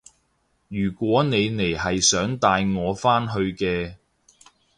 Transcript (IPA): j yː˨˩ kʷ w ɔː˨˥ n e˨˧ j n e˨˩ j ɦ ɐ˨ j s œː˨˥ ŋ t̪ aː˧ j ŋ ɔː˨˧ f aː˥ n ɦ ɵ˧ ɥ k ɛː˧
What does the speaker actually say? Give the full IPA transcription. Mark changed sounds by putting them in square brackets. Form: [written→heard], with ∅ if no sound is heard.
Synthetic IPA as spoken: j yː˨˩ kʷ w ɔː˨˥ n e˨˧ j n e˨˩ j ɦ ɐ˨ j s œː˨˥ ŋ t̪ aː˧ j ŋ ɔː˨˧ f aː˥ n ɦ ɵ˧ ɥ k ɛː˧